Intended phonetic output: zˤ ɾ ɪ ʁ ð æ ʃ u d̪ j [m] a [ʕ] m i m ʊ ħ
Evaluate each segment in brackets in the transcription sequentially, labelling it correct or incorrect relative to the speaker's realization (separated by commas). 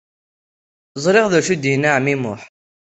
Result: incorrect, correct